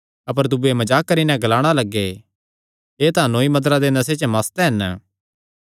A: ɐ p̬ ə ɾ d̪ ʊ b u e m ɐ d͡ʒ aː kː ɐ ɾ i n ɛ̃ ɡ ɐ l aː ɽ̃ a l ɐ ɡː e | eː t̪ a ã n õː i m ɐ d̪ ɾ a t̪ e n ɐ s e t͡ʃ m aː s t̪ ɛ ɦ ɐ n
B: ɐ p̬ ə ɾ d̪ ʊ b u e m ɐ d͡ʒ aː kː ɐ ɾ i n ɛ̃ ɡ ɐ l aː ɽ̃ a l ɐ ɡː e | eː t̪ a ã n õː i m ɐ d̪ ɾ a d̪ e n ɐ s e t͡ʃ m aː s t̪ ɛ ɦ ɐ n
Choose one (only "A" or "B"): B